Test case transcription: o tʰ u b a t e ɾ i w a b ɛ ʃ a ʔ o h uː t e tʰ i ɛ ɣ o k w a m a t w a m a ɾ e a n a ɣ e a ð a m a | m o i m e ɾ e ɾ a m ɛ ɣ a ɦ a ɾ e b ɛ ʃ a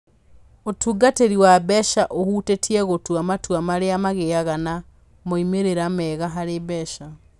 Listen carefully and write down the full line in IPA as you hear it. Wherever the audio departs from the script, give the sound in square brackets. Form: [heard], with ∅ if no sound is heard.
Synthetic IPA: o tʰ u [ɡ] a t e ɾ i w a b ɛ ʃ a ʔ o h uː t e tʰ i ɛ ɣ o [t] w a m a t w a m a ɾ e a [m] a ɣ e a [ɣ] a [n] a | m o i m e ɾ e ɾ a m ɛ ɣ a ɦ a ɾ e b ɛ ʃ a